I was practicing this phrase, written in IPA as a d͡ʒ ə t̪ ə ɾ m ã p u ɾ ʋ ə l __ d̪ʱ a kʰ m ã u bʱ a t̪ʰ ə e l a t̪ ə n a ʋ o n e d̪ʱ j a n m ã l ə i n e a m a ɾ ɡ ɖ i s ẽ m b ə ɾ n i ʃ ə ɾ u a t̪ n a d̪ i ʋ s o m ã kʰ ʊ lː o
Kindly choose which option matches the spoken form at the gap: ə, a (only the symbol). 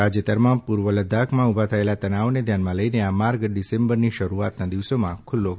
ə